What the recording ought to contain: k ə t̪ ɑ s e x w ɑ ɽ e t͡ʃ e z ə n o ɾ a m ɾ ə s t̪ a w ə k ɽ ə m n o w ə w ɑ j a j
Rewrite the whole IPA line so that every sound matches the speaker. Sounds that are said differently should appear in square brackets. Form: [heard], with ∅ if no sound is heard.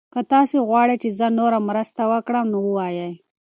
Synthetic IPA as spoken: k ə t̪ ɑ s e [ɣ] w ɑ ɽ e t͡ʃ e z ə n o ɾ a m ɾ ə s t̪ a w ə k ɽ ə m n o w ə w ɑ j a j